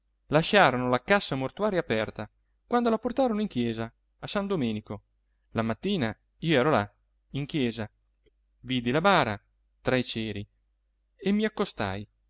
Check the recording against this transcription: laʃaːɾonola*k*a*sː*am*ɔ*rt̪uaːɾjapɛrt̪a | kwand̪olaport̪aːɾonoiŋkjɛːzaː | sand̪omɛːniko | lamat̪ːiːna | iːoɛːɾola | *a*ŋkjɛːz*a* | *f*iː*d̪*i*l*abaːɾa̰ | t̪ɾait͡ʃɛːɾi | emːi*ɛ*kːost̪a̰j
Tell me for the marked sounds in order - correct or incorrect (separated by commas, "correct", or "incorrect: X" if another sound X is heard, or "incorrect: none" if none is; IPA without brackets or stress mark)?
correct, correct, incorrect: o, incorrect: i, correct, incorrect: v, correct, correct, incorrect: a